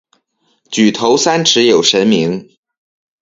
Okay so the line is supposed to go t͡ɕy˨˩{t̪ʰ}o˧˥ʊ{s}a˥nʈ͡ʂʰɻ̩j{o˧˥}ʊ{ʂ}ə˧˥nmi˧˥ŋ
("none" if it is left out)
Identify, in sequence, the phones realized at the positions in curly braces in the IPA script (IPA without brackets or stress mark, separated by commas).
t̪ʰ, s, o˨˩, ʂ